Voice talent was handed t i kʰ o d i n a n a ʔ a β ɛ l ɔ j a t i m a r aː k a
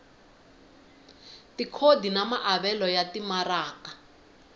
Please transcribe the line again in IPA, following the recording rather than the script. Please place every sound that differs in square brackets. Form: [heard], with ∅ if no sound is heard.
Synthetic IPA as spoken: t i kʰ o d i n a [m] a ʔ a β ɛ l ɔ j a t i m a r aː k a